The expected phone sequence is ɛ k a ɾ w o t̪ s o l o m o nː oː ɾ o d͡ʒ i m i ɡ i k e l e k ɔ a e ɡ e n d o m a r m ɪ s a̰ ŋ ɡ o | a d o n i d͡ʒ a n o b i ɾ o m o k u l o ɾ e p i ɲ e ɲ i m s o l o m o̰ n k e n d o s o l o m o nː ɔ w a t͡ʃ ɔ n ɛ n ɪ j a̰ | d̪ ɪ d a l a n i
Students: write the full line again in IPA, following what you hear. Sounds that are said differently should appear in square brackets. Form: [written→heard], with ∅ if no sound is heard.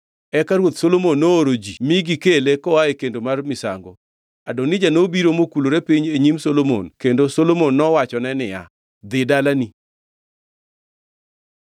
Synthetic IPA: ɛ k a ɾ w o t̪ s o l o m o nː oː ɾ o d͡ʒ i m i ɡ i k e l e k ɔ a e [ɡ→k] e n d o m a r m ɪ s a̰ ŋ ɡ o | a d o n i d͡ʒ a n o b i ɾ o m o k u l o ɾ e p i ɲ e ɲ i m s o l o m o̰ n k e n d o s o l o m o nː ɔ w a t͡ʃ ɔ n ɛ n ɪ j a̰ | d̪ ɪ d a l a n i